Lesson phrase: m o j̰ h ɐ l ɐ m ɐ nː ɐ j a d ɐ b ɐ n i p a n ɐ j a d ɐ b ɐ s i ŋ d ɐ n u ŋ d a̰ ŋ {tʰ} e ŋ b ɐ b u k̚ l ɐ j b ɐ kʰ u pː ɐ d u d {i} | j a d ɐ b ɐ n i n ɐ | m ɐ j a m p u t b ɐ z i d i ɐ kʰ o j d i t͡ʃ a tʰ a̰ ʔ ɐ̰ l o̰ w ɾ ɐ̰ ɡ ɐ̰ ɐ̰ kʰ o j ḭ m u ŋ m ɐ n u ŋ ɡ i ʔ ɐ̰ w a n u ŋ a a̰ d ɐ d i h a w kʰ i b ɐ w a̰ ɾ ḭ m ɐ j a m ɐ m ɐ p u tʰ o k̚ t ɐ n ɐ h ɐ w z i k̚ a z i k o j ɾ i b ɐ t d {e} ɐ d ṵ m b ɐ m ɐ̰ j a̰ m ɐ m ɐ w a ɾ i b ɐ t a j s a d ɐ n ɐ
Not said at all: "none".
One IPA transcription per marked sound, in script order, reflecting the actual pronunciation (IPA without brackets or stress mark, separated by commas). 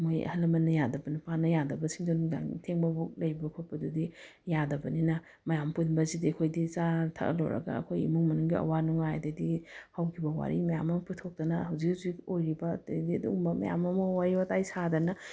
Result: tʰ, i, i